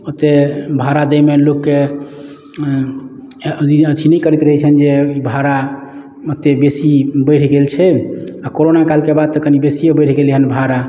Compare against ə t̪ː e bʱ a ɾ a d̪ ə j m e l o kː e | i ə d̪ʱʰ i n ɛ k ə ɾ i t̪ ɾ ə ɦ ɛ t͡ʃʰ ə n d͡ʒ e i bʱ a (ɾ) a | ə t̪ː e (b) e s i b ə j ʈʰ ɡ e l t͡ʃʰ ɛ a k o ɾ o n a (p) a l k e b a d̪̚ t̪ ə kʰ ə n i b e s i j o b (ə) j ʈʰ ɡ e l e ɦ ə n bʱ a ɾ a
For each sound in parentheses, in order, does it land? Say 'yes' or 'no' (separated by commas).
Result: yes, yes, no, yes